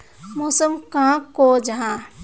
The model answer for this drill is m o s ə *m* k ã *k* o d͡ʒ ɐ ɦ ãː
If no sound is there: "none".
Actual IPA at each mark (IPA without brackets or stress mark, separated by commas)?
m, k